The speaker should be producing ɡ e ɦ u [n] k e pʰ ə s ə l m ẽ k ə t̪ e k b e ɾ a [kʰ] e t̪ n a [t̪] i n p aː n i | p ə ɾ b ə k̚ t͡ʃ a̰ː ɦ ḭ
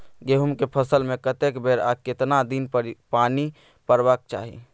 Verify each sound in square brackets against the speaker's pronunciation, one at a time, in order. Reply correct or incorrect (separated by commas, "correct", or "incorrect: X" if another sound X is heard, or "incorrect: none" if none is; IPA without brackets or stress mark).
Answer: incorrect: m, incorrect: k, incorrect: d̪